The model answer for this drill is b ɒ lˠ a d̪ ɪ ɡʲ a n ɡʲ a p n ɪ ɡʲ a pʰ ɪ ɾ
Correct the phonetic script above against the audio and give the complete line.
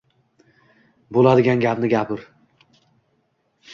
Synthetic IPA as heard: b o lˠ a d̪ ɪ ɡʲ a n ɡʲ a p n ɪ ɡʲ a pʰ ɪ ɾ

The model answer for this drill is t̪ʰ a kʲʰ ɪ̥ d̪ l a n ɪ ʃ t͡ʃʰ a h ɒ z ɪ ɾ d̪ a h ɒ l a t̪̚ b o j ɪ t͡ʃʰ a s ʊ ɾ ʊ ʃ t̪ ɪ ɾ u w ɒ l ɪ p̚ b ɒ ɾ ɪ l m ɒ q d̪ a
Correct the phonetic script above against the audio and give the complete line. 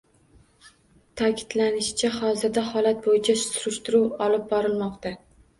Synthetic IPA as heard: t̪ʰ a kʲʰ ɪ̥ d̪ l a n ɪ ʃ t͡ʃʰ a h ɒ z ɪ ɾ d̪ a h ɒ l a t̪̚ b o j ɪ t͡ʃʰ a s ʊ ɾ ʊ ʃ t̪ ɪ ɾ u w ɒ l ɪ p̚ b ɒ ɾ ɪ l m ɒ q t̪ a

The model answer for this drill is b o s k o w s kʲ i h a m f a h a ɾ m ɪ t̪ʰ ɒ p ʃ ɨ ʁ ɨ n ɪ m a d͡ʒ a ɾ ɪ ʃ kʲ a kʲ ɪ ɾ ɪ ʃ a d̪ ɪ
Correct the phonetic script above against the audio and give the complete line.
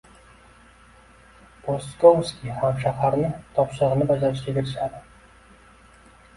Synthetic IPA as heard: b o s k o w s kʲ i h a m ʃ a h a ɾ n ɪ t̪ʰ ɒ p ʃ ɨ ʁ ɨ n ɪ b a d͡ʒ a ɾ ɪ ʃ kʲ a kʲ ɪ ɾ ɪ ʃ a d̪ ɪ

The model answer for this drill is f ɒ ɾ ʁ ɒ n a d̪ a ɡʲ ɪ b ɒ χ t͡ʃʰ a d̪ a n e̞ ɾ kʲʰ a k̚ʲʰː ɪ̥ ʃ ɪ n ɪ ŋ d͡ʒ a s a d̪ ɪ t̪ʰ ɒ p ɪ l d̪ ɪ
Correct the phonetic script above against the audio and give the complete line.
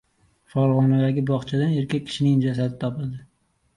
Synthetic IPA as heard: f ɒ ɾ ʁ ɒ n a d̪ a ɡʲ ɪ b ɒ χ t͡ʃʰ a d̪ a n e̞ ɾ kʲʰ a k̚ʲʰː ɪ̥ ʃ ɪ n ɪ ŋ d͡ʒ a s a d̪ ɪ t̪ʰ ɒ p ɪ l d̪ ɪ

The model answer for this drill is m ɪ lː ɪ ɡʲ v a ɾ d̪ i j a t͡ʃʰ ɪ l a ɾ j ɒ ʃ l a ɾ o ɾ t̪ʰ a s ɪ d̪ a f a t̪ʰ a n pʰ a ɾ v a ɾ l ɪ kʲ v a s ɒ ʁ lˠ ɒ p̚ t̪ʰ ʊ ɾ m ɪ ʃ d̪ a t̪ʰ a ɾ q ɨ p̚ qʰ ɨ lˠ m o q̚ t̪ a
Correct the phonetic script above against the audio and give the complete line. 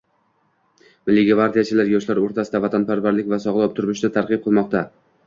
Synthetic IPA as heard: m ɪ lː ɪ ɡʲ v a ɾ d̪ i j a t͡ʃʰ ɪ l a ɾ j ɒ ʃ l a ɾ o ɾ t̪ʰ a s ɪ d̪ a v a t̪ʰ a n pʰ a ɾ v a ɾ l ɪ kʲ v a s ɒ ʁ lˠ ɒ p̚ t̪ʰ ʊ ɾ m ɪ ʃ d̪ a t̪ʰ a ɾ q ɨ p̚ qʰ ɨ lˠ m ɒ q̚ t̪ a

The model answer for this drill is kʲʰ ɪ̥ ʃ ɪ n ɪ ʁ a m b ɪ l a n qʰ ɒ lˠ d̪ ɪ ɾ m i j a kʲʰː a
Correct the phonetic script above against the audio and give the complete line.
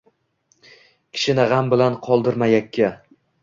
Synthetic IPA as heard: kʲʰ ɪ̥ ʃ ɪ n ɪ ʁ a m b ɪ l a n qʰ ɒ lˠ d̪ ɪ ɾ m a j a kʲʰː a

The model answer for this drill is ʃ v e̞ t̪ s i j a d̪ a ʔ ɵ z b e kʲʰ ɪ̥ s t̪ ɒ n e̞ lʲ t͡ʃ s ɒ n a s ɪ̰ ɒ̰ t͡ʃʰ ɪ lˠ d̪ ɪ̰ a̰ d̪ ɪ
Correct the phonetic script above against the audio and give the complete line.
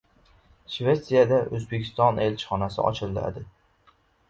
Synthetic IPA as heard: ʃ v e̞ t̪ s i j a d̪ a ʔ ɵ z b e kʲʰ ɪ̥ s t̪ ɒ n e̞ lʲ t͡ʃ χ ɒ n a s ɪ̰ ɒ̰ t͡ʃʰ ɪ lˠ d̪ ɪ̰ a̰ d̪ ɪ

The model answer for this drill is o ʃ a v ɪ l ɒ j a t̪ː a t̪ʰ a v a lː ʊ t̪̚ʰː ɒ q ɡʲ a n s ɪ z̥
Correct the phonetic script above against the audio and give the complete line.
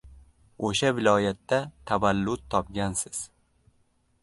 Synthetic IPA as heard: o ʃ a v ɪ l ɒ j a t̪ː a t̪ʰ a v a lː ʊ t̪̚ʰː ɒ p ɡʲ a n s ɪ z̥

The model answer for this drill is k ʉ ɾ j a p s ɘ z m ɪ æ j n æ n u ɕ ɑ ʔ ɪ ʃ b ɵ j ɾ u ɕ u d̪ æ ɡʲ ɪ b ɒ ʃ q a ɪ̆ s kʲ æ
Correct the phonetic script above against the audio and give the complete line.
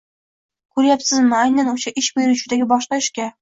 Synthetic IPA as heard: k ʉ ɾ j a p s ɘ z m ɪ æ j n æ n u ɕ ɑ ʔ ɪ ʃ b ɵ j ɾ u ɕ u d̪ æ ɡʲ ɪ b ɒ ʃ q ɑ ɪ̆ ʃ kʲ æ

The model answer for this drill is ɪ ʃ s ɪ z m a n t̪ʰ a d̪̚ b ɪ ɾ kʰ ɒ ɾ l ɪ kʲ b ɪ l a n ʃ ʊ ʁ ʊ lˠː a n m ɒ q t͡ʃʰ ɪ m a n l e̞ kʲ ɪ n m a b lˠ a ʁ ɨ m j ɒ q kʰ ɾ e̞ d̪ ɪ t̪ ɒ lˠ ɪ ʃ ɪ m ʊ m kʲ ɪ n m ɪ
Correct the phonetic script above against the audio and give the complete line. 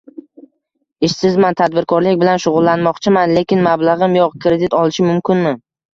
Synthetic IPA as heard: ɪ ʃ s ɪ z m a n t̪ʰ a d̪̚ b ɪ ɾ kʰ ɒ ɾ l ɪ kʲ b ɪ l a n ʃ ʊ ʁ ʊ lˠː a n m ɒ q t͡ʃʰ ɪ m a n l e̞ kʲ ɪ n m a b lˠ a ʁ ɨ m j ɒ q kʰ ɾ e̞ d̪ ɪ t̪ ɒ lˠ ɪ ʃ ɪ m ʊ m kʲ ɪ n m ɪ

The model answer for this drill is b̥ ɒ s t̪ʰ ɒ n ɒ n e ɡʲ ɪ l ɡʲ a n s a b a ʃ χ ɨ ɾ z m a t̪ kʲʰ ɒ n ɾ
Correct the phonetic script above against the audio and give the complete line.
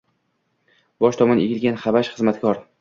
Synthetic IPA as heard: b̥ ɒ ʃ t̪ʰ ɒ m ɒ n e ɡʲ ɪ l ɡʲ a n χ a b a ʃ χ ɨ z m a t̪ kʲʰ ɒ ɾ

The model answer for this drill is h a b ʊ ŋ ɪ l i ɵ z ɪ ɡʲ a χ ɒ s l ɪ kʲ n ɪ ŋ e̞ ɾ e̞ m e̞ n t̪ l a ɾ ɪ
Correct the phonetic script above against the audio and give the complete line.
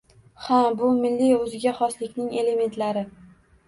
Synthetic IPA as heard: h a b ʊ m ɪ lː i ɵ z ɪ ɡʲ a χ ɒ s l ɪ kʲ n ɪ ŋ e̞ l e̞ m e̞ n t̪ l a ɾ ɪ

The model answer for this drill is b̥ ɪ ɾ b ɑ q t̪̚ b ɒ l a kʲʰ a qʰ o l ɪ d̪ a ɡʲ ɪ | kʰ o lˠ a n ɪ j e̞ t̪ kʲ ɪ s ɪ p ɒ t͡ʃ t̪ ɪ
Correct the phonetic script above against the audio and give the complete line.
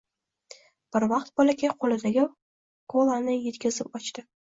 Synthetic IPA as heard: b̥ ɪ ɾ v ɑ q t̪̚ b ɒ l a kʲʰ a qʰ o l ɪ d̪ a ɡʲ ɪ | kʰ o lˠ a n ɪ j e̞ t̪ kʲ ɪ z ɪ p ɒ t͡ʃ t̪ ɪ

